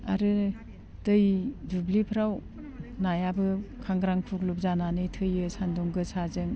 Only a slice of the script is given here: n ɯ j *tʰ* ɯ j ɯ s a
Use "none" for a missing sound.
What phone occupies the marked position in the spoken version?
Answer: tʰ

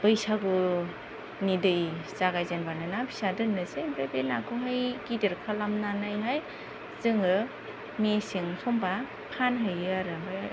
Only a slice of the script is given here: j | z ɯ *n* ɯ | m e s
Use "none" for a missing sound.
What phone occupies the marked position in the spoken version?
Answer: ŋ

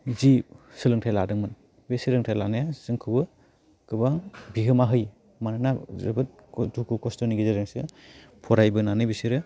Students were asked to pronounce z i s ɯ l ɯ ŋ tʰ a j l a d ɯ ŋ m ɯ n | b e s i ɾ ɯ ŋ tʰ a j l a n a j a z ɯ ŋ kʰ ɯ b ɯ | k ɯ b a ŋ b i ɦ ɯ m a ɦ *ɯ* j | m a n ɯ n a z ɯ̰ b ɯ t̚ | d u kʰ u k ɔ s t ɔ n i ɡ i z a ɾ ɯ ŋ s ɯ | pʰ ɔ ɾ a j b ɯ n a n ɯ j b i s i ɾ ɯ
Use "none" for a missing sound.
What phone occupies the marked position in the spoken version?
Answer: ɯ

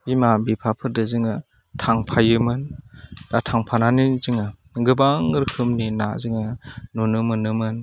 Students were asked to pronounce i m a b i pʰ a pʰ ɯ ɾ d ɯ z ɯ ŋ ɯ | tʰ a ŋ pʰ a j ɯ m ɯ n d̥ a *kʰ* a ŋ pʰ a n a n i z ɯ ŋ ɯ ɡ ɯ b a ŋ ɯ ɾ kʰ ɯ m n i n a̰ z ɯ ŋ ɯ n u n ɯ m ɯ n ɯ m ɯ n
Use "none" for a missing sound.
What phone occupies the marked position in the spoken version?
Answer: tʰ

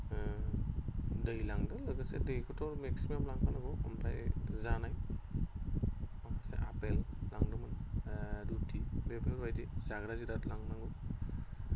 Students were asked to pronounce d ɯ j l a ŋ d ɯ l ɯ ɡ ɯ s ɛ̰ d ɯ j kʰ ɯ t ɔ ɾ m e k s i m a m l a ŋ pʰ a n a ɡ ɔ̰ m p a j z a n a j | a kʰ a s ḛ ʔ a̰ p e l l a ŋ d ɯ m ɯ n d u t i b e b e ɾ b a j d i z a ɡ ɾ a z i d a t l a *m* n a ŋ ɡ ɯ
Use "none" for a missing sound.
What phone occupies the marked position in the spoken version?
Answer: ŋ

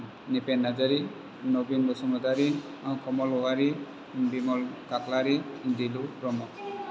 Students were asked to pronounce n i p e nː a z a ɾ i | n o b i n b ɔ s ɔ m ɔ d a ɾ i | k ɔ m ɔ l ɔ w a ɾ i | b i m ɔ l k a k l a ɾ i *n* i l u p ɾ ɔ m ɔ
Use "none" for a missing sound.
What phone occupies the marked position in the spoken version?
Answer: d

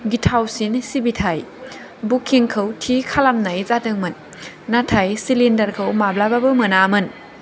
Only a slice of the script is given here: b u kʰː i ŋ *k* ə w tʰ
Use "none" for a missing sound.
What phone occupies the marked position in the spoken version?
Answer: kʰ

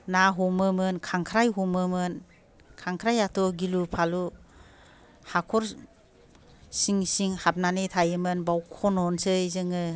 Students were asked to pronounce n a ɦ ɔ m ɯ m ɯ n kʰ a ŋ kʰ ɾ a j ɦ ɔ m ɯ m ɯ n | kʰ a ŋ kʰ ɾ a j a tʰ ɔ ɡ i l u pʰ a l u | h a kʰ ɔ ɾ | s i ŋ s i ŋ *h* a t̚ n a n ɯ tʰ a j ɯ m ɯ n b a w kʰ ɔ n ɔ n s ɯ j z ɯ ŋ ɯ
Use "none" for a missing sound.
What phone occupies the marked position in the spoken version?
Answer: h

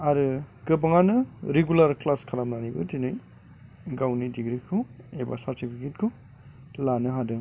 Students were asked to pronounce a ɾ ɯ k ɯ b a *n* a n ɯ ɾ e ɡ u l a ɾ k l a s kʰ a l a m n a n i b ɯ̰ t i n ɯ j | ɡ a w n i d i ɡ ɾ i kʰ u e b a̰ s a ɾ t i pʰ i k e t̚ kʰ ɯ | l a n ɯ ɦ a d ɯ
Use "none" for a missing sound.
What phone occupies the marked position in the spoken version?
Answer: ŋ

